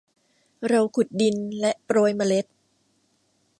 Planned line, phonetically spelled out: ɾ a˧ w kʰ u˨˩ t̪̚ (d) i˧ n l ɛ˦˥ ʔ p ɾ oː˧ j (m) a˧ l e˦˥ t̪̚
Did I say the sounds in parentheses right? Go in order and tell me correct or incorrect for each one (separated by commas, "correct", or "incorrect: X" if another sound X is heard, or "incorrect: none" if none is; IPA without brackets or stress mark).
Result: correct, correct